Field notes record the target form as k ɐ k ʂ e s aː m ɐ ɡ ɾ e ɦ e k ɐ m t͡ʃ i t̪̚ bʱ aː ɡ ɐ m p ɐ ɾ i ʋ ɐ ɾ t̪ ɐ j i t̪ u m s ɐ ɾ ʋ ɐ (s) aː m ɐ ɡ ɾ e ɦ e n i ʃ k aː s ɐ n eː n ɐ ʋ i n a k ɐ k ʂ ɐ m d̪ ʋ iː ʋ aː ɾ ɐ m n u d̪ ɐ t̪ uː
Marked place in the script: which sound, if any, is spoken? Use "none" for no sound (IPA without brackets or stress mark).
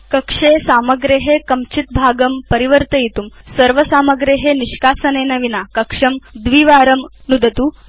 s